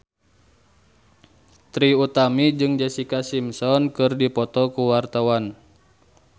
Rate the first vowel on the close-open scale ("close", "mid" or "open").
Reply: close